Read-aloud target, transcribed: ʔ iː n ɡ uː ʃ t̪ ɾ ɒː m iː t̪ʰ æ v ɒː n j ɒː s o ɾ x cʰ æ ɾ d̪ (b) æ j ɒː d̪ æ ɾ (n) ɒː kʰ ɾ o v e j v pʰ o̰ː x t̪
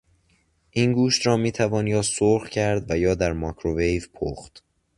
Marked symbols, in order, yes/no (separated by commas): no, no